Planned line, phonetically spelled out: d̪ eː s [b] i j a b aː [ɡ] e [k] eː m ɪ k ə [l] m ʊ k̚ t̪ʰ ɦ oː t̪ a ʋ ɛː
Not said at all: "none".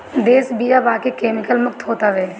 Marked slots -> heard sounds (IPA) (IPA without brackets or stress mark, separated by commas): b, k, k, l